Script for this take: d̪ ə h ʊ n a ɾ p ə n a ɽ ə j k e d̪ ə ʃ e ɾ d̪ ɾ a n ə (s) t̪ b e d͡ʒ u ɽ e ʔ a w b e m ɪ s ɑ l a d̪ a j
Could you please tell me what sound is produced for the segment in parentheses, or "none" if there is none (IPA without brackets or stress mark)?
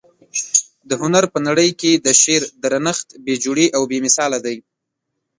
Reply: x